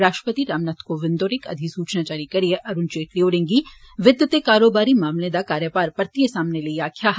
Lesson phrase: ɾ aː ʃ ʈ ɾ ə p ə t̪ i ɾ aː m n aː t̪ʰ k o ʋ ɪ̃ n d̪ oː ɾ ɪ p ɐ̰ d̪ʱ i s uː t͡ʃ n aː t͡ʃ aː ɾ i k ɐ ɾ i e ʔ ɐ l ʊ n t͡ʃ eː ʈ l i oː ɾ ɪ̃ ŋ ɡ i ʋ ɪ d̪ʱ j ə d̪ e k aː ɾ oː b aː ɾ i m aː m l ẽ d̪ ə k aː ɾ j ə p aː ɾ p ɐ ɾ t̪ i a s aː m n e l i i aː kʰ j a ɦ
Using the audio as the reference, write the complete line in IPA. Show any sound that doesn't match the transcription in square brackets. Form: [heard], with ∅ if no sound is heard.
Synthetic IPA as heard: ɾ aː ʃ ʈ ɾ ə p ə t̪ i ɾ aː m n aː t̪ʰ k o ʋ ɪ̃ n d̪ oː ɾ ɪ [k] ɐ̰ d̪ʱ i s uː t͡ʃ n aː t͡ʃ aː ɾ i k ɐ ɾ i e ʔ ɐ [ɾ] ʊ n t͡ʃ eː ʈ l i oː ɾ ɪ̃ ŋ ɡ i ʋ ɪ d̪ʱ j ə [t̪] e k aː ɾ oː b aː ɾ i m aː m l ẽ d̪ [a] k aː ɾ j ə p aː ɾ p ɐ ɾ t̪ i [e] s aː m n e l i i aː kʰ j a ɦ

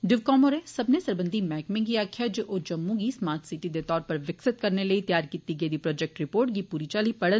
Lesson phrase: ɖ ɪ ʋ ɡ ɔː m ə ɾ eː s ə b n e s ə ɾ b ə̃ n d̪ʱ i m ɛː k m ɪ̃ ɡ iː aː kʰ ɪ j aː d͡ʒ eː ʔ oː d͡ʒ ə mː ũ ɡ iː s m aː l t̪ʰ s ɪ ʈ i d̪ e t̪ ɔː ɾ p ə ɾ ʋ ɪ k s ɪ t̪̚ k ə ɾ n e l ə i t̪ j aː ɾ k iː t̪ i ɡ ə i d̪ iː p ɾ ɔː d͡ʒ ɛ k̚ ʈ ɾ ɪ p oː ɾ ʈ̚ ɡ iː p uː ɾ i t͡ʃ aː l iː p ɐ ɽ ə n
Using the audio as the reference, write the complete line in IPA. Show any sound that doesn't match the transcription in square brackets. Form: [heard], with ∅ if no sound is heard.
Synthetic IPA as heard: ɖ ɪ ʋ [k] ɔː m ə ɾ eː s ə b n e s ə ɾ b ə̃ n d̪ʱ i m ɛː k m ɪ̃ ɡ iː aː kʰ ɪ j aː d͡ʒ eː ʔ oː d͡ʒ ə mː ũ ɡ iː s m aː [ɾ] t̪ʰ s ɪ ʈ i d̪ e t̪ ɔː ɾ p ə ɾ ʋ ɪ k s ɪ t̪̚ k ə ɾ n e l ə i t̪ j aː ɾ k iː t̪ i ɡ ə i d̪ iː p ɾ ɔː d͡ʒ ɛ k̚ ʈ ɾ ɪ p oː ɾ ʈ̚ ɡ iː p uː ɾ i t͡ʃ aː l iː p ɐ ɽ ə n

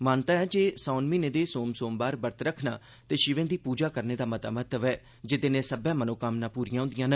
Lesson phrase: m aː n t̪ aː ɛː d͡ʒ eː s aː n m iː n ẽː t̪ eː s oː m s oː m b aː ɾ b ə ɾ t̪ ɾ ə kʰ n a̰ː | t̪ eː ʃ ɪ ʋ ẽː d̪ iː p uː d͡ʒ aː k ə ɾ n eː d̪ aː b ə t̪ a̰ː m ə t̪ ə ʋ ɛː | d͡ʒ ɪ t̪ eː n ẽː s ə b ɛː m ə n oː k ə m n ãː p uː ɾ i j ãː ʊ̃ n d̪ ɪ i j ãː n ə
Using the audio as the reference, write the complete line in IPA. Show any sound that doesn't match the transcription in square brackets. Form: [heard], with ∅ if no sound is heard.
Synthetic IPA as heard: m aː n t̪ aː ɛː d͡ʒ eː s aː n m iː n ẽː [d̪] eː s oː m s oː m b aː ɾ b ə ɾ t̪ ɾ ə kʰ n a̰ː | t̪ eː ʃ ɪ ʋ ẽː d̪ iː p uː d͡ʒ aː k ə ɾ n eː d̪ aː [m] ə t̪ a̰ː m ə t̪ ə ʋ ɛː | d͡ʒ ɪ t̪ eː n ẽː s ə b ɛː m ə n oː k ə m n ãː p uː ɾ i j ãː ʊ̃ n d̪ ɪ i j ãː n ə

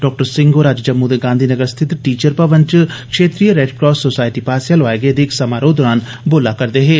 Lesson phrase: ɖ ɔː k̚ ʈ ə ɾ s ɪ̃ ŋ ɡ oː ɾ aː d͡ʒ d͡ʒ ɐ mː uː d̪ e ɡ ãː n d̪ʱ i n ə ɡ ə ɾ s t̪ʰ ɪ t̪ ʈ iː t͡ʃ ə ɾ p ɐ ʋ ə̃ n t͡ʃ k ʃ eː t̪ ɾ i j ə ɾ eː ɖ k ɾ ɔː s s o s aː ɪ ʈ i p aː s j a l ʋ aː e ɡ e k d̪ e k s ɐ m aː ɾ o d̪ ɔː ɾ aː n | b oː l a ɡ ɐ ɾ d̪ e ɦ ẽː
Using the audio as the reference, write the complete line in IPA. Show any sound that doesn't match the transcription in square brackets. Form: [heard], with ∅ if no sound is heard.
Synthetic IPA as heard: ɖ ɔː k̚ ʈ ə ɾ s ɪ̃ ŋ ɡ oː ɾ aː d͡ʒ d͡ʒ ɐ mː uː d̪ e ɡ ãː n d̪ʱ i n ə ɡ ə ɾ s t̪ʰ ɪ t̪ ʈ iː t͡ʃ ə ɾ p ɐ ʋ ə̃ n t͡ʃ k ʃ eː t̪ ɾ i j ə ɾ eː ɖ k ɾ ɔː s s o s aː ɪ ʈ i p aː s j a l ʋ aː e ɡ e [∅] d̪ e k s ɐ m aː ɾ o d̪ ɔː ɾ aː n | b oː l a [k] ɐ ɾ d̪ e ɦ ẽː

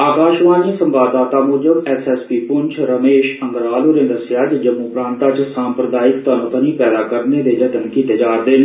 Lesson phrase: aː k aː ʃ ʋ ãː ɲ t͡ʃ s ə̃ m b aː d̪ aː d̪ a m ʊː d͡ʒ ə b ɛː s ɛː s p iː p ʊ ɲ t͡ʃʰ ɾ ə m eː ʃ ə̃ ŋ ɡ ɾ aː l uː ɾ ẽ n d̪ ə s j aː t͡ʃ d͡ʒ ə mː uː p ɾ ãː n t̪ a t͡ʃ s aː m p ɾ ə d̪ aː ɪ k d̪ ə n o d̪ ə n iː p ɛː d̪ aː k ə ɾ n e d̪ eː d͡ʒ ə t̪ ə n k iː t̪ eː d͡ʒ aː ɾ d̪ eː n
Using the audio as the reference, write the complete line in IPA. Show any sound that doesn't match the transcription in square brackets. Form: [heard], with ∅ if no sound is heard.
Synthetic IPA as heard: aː k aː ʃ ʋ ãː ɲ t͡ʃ s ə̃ m b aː d̪ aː [t̪] a m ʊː d͡ʒ ə b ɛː s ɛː s p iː p ʊ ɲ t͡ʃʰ ɾ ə m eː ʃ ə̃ ŋ ɡ ɾ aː l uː ɾ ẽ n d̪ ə s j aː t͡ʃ d͡ʒ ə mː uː p ɾ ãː n t̪ a t͡ʃ s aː m p ɾ ə d̪ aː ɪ k [t̪] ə n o [t̪] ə n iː p ɛː d̪ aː k ə ɾ n e d̪ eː d͡ʒ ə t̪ ə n k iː t̪ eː d͡ʒ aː ɾ d̪ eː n

